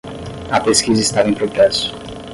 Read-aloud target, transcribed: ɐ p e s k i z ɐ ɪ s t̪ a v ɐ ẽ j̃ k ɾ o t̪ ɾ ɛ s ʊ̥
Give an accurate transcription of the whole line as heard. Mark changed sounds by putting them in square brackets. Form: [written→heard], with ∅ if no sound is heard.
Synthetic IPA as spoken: ɐ p e s k i z ɐ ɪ s t̪ a v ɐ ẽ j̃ [k→p] ɾ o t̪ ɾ ɛ s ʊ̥